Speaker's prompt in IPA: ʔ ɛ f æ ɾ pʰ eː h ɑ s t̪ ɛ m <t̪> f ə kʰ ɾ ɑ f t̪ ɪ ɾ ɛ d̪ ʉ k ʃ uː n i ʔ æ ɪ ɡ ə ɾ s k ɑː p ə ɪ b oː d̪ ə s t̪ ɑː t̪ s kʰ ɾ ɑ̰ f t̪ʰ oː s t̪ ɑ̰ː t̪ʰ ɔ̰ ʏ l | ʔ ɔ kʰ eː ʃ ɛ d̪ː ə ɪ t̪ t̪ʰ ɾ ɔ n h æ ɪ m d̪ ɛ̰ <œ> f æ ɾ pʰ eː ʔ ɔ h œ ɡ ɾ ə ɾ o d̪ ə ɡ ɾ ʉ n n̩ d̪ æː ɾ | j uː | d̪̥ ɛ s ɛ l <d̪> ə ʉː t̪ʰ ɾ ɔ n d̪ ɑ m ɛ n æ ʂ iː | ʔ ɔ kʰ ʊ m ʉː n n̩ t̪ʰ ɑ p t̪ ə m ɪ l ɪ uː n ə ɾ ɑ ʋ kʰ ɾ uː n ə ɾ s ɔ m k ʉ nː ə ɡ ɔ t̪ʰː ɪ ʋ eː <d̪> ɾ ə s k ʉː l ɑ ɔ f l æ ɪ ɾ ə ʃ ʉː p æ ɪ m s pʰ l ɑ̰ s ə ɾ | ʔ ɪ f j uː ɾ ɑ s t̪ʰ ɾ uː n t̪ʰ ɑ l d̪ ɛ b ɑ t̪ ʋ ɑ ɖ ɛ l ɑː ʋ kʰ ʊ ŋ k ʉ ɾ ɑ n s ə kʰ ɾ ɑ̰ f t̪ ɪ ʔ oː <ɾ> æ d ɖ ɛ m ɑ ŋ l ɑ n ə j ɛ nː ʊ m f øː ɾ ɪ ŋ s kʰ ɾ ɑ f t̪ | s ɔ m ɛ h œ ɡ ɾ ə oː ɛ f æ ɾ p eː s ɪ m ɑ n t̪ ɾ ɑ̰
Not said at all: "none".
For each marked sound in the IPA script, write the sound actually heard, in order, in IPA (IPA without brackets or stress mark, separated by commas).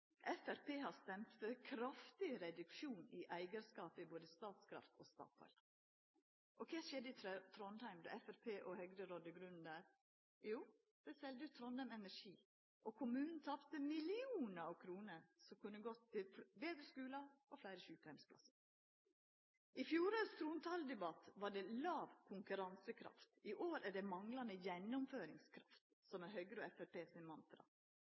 t̪, ɛ, d̪, d̪, ɾ